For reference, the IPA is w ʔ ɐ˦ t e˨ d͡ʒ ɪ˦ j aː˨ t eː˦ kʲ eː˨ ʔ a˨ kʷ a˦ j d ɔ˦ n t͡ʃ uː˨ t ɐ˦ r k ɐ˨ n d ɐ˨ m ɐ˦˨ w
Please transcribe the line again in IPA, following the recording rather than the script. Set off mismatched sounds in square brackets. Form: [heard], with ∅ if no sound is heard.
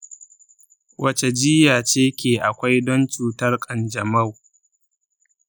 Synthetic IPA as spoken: w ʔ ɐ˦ [t͡ʃ] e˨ d͡ʒ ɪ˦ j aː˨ [t͡ʃ] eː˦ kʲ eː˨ ʔ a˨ kʷ a˦ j d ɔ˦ n t͡ʃ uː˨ t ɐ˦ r [kʼ] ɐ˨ n [d͡ʒ] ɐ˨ m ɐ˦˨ w

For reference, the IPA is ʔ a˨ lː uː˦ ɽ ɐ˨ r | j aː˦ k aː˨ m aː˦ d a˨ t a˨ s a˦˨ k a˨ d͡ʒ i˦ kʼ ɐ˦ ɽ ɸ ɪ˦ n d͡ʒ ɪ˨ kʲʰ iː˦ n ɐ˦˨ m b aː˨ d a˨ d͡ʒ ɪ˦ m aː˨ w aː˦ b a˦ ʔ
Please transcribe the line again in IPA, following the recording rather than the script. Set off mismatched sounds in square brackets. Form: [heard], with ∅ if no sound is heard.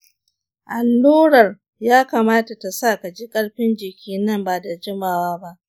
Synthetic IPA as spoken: ʔ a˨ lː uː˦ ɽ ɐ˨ r | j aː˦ k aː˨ m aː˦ [t] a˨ t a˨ s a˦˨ k a˨ d͡ʒ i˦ kʼ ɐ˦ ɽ ɸ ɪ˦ n d͡ʒ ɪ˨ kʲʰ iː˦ n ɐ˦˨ m b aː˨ d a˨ d͡ʒ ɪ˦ m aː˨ w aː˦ b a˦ ʔ

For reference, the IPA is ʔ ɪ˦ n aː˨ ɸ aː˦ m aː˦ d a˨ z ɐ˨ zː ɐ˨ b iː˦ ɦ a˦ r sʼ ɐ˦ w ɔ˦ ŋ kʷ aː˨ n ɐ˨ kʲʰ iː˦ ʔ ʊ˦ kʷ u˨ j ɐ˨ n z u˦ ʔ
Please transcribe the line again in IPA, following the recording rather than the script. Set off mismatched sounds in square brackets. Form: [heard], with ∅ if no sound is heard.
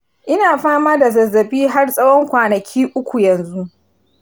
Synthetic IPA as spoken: ʔ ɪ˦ n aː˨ ɸ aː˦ m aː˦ d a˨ z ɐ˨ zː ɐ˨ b iː˦ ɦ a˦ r sʼ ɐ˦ w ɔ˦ ŋ kʷ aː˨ n ɐ˨ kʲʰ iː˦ ʔ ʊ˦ kʷ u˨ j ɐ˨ n z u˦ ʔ

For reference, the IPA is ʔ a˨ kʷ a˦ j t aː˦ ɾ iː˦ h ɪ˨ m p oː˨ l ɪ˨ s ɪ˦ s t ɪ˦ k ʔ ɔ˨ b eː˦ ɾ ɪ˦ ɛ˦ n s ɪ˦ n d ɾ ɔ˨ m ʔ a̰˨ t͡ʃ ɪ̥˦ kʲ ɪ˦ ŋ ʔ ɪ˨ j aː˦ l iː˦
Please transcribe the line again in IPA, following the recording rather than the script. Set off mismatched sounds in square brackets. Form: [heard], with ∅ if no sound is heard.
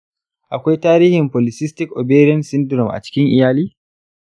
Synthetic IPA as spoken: ʔ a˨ kʷ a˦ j t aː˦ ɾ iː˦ h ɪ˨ m p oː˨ l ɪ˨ s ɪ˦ s t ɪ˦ k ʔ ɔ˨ b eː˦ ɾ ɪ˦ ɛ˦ n s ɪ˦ n d ɾ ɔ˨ m ʔ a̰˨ t͡ʃ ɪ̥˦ kʲ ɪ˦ ŋ ʔ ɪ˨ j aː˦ l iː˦

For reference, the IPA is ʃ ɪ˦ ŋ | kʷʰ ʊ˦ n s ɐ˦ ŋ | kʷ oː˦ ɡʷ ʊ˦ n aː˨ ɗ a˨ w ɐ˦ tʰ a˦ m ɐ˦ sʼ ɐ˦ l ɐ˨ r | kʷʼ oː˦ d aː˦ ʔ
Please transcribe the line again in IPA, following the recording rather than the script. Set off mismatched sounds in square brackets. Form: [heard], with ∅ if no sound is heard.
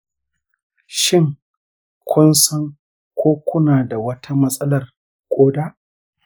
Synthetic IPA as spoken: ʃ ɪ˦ ŋ | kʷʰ ʊ˦ n s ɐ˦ ŋ | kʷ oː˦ [kʷ] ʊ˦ n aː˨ [d] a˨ w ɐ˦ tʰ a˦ m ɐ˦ sʼ ɐ˦ l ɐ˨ r | kʷʼ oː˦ d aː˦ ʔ

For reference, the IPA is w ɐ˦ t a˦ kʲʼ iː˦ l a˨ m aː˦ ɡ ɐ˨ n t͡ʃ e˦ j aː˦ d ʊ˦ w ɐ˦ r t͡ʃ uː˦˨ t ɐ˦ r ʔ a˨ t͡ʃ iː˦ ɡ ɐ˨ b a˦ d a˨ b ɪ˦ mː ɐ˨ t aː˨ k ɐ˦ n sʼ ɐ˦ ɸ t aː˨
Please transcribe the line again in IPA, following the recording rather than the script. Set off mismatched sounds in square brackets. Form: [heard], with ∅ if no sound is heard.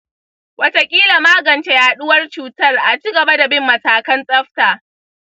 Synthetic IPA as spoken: w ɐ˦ t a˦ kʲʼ iː˦ l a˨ m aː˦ ɡ ɐ˨ n t͡ʃ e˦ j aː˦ [ɗ] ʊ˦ w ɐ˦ r t͡ʃ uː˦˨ t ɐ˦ r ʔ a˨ t͡ʃ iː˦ ɡ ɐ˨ b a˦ d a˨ b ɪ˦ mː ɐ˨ t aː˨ k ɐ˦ n sʼ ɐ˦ ɸ t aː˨

